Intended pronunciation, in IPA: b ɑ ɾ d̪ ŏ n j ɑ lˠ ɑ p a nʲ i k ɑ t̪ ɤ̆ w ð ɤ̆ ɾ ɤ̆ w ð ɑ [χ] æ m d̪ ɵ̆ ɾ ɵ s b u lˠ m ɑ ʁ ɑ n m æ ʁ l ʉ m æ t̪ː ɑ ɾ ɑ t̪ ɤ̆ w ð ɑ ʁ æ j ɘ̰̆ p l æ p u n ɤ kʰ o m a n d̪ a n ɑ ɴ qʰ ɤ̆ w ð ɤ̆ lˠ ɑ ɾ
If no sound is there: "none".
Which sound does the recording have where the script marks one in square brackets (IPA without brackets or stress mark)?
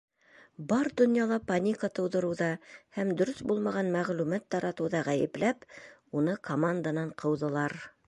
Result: h